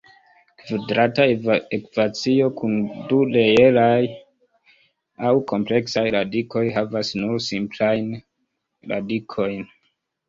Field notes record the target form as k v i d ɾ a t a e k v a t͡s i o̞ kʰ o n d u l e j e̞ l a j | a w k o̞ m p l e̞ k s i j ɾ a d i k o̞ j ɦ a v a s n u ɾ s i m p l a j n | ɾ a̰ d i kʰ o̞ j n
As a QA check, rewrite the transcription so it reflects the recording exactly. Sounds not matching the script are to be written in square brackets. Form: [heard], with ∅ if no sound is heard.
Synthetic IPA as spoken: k v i d ɾ a t a e k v a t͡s i o̞ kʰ [u] n d u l e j e̞ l a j | a w k o̞ m p l e̞ k s [a] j ɾ a d i k o̞ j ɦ a v a s n u ɾ s i m p l a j n | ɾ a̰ d i kʰ o̞ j n